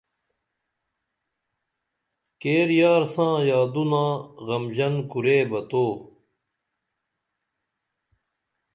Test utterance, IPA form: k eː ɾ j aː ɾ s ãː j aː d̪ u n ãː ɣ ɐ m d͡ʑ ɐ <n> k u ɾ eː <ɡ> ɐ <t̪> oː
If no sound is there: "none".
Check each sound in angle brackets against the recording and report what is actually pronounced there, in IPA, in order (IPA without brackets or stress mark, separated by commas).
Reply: n, b, t̪